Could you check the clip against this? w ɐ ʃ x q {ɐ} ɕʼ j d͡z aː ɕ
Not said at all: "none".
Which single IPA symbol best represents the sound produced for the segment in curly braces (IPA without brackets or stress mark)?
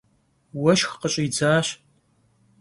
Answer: ə